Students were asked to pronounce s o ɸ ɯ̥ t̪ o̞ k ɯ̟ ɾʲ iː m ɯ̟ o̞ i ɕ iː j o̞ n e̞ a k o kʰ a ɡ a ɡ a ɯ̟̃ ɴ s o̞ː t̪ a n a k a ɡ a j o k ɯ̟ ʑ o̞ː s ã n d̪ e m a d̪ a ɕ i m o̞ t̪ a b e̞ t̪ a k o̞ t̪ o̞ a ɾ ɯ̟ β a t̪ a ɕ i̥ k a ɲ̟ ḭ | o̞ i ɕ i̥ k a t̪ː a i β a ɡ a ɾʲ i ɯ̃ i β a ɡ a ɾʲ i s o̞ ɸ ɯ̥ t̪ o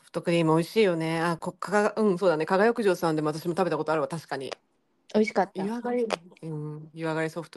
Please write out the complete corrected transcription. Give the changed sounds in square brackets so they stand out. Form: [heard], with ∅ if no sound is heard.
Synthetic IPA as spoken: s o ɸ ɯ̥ t̪ o̞ k ɯ̟ ɾʲ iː m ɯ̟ o̞ i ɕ iː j o̞ n e̞ a k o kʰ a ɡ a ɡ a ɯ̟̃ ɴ s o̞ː [d̪] a n [e] k a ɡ a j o k ɯ̟ ʑ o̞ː s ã n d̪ e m a [t̪] a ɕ i m o̞ t̪ a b e̞ t̪ a k o̞ t̪ o̞ a ɾ ɯ̟ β a t̪ a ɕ i̥ k a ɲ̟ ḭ | o̞ i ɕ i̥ k a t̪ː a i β a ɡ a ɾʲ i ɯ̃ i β a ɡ a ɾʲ i s o̞ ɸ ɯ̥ t̪ o